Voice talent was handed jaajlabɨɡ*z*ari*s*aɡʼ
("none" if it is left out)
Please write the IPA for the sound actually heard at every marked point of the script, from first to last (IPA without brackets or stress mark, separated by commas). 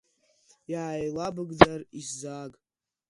d͡z, z